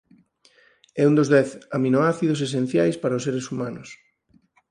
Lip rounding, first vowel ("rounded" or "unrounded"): unrounded